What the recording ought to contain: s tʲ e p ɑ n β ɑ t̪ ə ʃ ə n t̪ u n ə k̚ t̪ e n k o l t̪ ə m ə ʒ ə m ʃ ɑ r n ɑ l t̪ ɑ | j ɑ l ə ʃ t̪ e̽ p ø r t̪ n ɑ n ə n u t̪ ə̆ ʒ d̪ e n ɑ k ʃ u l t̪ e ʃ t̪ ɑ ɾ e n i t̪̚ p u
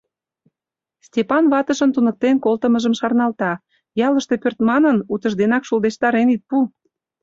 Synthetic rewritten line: s tʲ e p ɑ n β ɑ t̪ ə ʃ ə n t̪ u n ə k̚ t̪ e n k o l t̪ ə m ə ʒ ə m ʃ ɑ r n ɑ l t̪ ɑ | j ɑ l ə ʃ t̪ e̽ p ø r t̪ m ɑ n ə n u t̪ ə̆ ʒ d̪ e n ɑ k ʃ u l d̪ e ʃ t̪ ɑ ɾ e n i t̪̚ p u

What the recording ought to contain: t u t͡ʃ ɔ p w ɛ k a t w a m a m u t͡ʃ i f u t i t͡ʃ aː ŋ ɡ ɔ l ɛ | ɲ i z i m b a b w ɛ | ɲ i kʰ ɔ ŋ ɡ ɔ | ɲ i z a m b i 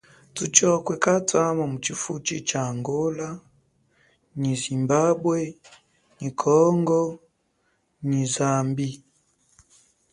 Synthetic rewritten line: t u t͡ʃ ɔ k w ɛ k a t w a m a m u t͡ʃ i f u t͡ʃ i t͡ʃ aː ŋ ɡ ɔ l a | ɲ i z i m b a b w ɛ | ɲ i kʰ ɔ ŋ ɡ ɔ | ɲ i z a m b i

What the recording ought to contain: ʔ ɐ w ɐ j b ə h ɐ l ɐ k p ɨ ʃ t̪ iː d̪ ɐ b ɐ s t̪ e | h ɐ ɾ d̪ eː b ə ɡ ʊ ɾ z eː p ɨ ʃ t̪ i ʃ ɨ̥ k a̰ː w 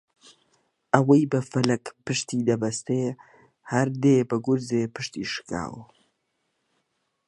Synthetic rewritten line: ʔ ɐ w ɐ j b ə f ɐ l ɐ k p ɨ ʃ t̪ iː d̪ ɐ b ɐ s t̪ e | h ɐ ɾ d̪ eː b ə ɡ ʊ ɾ z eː p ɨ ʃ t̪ i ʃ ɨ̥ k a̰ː w

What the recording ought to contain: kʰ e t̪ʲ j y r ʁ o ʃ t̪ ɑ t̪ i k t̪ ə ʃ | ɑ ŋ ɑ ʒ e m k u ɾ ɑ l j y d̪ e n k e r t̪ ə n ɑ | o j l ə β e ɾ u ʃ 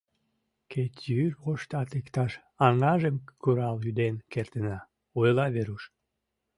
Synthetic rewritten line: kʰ e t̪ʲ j y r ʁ o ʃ t̪ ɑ t̪ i k t̪ ɑ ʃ | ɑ ŋ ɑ ʒ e m k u ɾ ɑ l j y d̪ e n k e r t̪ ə n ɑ | o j l ɑ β e ɾ u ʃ

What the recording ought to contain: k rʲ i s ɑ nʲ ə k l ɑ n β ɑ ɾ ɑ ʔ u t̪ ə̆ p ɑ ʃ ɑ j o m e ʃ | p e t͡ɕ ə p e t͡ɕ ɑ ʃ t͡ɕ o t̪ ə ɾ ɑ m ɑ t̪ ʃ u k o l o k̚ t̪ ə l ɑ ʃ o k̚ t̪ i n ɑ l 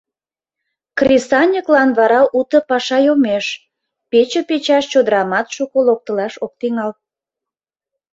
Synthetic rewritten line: k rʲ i s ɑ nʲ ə k l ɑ n β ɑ ɾ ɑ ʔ u t̪ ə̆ p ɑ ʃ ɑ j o m e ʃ | p e t͡ɕ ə p e t͡ɕ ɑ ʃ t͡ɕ o d̪ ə ɾ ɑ m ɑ t̪ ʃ u k o l o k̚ t̪ ə l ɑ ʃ o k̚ t̪ i ŋ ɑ l

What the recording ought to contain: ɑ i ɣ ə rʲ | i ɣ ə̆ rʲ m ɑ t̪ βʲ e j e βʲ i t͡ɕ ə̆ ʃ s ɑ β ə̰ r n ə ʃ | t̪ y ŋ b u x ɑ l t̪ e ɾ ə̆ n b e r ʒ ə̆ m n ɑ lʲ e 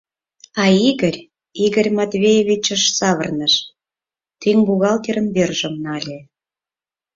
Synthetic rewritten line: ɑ i ɣ ə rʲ | i ɣ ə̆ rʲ m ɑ t̪ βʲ e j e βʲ i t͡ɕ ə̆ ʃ s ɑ β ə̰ r n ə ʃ | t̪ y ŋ b u ɣ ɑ l t̪ e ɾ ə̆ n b e r ʒ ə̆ m n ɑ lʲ e

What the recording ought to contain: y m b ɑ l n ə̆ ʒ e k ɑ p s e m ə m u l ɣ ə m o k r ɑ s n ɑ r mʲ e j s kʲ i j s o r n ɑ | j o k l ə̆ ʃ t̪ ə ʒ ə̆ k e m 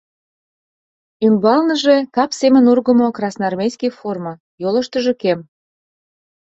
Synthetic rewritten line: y m b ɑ l n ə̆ ʒ e k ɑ p s e m ə n u r ɣ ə m o k r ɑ s n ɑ r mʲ e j s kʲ i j f o r m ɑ | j o l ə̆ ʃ t̪ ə ʒ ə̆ k e m

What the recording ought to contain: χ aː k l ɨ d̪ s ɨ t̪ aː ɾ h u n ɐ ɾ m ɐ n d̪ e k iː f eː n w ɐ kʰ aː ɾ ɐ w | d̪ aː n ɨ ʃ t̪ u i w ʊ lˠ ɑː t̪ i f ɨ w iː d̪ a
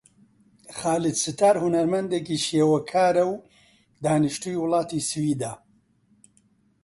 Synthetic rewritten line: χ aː l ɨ d̪ s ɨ t̪ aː ɾ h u n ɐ ɾ m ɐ n d̪ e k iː ʃ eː w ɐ kʰ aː ɾ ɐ w | d̪ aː n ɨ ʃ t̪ u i w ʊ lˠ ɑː t̪ i s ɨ w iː d̪ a

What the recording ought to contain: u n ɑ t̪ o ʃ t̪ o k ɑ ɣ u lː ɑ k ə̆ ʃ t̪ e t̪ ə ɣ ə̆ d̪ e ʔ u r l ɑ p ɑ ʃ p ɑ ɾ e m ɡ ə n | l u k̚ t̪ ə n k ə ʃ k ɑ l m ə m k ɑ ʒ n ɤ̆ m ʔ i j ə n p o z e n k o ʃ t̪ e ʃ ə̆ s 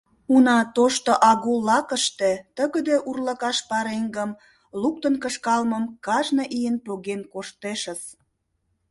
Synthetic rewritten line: u n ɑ t̪ o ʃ t̪ o ʔ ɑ ɣ u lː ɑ k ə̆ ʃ t̪ e t̪ ə ɣ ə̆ d̪ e ʔ u r l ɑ k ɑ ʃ p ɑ ɾ e ŋ ɡ ə m | l u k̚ t̪ ə n k ə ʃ k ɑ l m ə m k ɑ ʒ n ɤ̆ ʔ i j ə n p o ɣ e n k o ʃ t̪ e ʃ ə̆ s

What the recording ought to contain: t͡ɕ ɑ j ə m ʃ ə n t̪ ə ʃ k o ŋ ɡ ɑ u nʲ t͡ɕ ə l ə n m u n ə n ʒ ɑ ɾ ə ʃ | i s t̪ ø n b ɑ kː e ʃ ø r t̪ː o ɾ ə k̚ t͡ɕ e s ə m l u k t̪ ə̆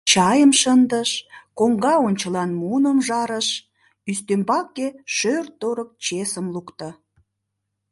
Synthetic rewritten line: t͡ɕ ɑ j ə m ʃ ə n d̪ ə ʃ k o ŋ ɡ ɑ o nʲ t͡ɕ ə l ɑ n m u n ə m ʒ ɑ ɾ ə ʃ | y s t̪ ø m b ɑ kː e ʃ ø r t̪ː o ɾ ə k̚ t͡ɕ e s ə m l u k t̪ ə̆

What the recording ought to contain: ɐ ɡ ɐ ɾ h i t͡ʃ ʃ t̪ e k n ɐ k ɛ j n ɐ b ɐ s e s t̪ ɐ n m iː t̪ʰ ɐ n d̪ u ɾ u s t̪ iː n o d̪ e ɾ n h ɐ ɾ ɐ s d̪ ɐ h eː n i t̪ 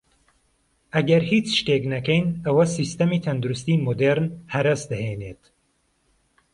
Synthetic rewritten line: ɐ ɡ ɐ ɾ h i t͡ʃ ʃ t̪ e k n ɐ k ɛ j n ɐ w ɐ s i s t̪ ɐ m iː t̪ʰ ɐ n d̪ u ɾ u s t̪ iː m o d̪ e ɾ n h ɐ ɾ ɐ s d̪ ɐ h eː n e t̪

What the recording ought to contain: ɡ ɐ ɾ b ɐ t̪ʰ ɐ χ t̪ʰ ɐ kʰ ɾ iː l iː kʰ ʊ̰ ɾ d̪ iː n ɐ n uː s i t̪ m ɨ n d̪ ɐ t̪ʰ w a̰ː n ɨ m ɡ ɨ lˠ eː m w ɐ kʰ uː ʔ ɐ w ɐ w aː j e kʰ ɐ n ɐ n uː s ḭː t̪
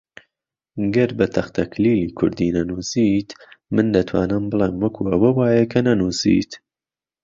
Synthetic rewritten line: ɡ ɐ ɾ b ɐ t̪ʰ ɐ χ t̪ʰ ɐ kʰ l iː l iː kʰ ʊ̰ ɾ d̪ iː n ɐ n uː s i t̪ m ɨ n d̪ ɐ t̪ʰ w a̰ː n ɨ m b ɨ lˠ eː m w ɐ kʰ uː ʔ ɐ w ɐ w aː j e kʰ ɐ n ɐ n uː s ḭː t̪

